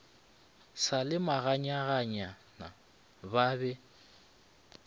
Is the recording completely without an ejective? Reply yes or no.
yes